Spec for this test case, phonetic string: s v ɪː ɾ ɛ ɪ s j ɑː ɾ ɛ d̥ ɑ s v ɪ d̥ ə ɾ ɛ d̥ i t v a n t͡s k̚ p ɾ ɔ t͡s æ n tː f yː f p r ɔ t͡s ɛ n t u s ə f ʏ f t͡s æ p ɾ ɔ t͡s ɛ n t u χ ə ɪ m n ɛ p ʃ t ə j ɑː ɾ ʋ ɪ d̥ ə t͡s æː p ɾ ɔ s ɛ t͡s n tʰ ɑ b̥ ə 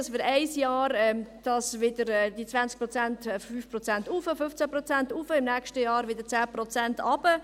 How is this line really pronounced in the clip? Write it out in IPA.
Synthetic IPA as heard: s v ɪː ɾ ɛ ɪ s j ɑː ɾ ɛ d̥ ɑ s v ɪ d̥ ə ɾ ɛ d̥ i t͡s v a n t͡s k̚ p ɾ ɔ t͡s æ n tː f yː f p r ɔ t͡s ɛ n t u f ə f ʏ f t͡s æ p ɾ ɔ t͡s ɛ n t u f ə ɪ m n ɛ k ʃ t ə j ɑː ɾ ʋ ɪ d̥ ə t͡s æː p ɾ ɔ t͡s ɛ n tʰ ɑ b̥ ə